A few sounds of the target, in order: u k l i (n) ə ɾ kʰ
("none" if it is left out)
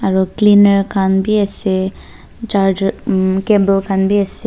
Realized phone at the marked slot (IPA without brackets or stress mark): n